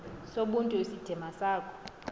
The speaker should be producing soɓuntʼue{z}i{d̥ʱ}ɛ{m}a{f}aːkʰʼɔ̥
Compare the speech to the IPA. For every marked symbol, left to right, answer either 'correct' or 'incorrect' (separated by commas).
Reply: incorrect, correct, correct, incorrect